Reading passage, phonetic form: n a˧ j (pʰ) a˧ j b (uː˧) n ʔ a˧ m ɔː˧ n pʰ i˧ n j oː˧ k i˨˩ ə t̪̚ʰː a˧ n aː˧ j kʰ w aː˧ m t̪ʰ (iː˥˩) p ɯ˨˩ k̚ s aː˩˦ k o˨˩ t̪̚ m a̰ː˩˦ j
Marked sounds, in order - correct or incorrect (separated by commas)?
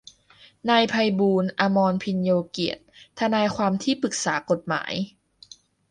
correct, correct, correct